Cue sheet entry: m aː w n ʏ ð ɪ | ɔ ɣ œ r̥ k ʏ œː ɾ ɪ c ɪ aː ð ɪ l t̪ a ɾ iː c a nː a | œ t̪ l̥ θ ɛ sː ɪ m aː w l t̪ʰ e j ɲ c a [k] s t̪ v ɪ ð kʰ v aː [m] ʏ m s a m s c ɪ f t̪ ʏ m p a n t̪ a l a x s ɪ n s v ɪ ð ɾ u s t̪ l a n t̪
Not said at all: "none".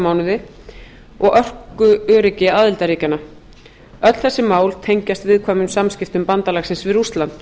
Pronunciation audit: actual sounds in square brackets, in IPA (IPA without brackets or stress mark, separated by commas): none, m